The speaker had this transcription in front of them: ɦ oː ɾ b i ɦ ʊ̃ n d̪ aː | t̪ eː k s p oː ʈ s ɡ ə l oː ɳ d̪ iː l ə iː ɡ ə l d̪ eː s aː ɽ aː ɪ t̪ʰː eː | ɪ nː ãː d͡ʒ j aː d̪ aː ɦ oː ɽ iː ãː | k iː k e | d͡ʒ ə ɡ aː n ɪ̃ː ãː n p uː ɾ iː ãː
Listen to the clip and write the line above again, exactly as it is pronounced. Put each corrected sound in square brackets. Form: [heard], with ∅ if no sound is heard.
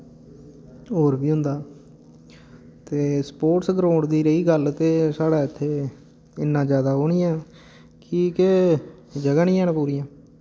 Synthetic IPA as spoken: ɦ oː ɾ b [iː] ɦ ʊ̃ n d̪ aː | t̪ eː [∅] s p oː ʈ s ɡ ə [ɾ] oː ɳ d̪ iː [ɾ] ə iː ɡ ə l [t̪] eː s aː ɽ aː ɪ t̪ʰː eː | ɪ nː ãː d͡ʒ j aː d̪ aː ɦ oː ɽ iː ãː | k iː k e | d͡ʒ ə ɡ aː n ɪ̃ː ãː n p uː ɾ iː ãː